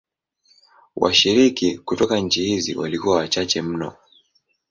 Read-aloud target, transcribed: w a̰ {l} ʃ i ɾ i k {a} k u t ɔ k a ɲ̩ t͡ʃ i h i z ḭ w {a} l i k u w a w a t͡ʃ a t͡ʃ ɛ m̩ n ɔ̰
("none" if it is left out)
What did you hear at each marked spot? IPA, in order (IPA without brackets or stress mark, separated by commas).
none, i, a